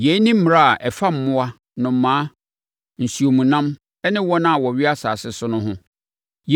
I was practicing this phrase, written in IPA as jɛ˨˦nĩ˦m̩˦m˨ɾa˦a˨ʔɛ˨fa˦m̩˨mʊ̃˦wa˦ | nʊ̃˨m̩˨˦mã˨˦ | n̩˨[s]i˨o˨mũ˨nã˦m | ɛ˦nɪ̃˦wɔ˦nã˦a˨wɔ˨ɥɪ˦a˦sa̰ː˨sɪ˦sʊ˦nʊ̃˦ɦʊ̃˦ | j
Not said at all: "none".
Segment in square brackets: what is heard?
s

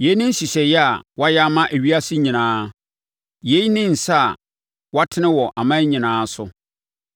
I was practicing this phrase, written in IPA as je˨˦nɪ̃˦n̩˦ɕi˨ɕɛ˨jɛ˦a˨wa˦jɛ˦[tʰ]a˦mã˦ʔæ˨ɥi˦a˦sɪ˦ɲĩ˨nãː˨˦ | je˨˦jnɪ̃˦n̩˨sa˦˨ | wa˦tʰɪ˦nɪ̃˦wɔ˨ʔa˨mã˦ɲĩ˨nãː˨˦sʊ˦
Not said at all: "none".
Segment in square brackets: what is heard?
none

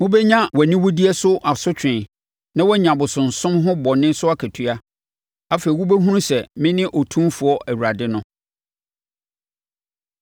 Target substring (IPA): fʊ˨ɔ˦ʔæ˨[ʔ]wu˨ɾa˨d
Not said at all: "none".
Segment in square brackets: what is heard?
none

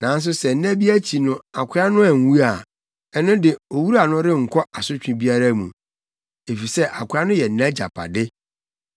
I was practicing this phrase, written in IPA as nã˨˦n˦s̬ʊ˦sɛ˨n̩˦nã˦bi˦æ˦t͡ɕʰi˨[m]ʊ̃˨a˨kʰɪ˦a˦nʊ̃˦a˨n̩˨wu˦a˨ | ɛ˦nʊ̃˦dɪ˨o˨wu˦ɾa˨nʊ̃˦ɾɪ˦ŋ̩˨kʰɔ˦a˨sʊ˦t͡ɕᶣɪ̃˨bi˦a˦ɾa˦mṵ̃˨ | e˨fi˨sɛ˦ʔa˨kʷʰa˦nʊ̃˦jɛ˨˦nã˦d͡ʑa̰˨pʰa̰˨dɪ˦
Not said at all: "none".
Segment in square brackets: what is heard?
n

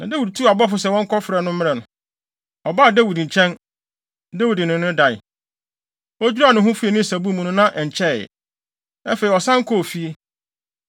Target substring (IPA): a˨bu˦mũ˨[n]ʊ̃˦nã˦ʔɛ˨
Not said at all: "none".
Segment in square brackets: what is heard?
n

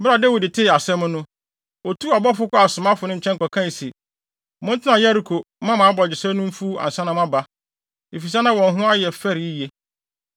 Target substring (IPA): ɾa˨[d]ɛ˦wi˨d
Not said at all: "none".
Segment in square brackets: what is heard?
d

